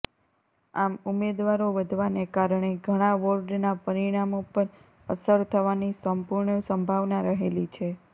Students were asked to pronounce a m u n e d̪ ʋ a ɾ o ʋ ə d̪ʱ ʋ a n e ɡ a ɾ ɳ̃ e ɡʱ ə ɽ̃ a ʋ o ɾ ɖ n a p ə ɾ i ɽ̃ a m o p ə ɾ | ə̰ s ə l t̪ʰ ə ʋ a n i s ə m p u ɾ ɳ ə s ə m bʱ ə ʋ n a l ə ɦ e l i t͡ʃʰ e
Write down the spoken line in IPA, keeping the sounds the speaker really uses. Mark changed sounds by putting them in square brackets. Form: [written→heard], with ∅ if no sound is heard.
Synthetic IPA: a m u [n→m] e d̪ ʋ a ɾ o ʋ ə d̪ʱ ʋ a n e ɡ a ɾ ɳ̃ e ɡʱ ə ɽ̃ a ʋ o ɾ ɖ n a p ə ɾ i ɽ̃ a m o p ə ɾ | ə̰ s ə [l→ɾ] t̪ʰ ə ʋ a n i s ə m p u ɾ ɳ ə s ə m bʱ [ə→a] ʋ n a [l→ɾ] ə ɦ e l i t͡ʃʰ e